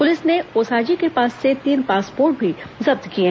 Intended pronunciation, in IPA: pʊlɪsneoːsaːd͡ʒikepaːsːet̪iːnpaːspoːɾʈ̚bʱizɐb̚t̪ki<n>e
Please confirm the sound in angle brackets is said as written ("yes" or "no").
no